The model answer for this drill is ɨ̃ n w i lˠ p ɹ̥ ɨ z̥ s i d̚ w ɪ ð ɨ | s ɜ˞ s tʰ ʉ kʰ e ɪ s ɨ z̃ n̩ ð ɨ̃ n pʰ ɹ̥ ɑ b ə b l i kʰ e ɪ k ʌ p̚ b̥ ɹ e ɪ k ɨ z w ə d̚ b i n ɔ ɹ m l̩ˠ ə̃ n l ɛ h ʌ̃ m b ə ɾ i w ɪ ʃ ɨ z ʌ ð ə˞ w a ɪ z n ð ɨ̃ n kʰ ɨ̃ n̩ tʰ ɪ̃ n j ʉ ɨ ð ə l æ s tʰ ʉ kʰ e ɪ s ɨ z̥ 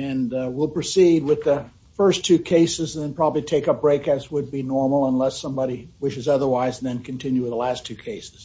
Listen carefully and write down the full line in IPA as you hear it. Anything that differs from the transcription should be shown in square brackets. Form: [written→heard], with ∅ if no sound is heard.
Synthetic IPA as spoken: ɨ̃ n w i lˠ p ɹ̥ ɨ [z̥→∅] s i d̚ w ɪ ð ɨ | [s→f] ɜ˞ s tʰ ʉ kʰ e ɪ s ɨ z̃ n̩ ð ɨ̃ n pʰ ɹ̥ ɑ b ə b l i [kʰ→tʰ] e ɪ k ʌ p̚ b̥ ɹ e ɪ k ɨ z w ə d̚ b i n ɔ ɹ m l̩ˠ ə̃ n l ɛ [h→s] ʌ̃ m b [ə→ɑ] ɾ i w ɪ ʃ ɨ z ʌ ð ə˞ w a ɪ z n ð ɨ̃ n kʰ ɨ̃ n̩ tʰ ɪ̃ n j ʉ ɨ ð ə l æ s tʰ ʉ kʰ e ɪ s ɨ z̥